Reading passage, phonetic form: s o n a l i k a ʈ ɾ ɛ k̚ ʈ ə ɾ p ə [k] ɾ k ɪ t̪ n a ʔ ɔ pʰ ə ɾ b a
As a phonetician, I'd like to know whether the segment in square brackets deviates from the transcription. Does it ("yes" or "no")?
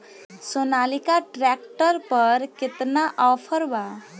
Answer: yes